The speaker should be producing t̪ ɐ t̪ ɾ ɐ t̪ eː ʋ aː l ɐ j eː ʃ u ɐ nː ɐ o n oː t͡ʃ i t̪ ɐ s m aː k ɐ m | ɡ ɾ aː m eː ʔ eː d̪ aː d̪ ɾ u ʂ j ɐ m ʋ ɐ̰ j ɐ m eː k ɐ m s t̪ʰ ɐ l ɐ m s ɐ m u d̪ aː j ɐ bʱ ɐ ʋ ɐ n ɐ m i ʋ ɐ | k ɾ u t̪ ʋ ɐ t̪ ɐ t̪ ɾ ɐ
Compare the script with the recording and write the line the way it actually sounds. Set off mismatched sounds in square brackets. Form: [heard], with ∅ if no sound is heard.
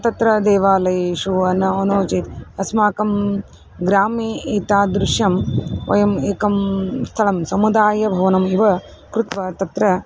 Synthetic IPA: t̪ ɐ t̪ ɾ ɐ [d̪] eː ʋ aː l ɐ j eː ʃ u ɐ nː ɐ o n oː t͡ʃ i t̪ ɐ s m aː k ɐ m | ɡ ɾ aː m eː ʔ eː [t̪] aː d̪ ɾ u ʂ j ɐ m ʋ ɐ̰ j ɐ m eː k ɐ m s t̪ʰ ɐ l ɐ m s ɐ m u d̪ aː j ɐ bʱ ɐ ʋ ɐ n ɐ m i ʋ ɐ | k ɾ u t̪ ʋ ɐ t̪ ɐ t̪ ɾ ɐ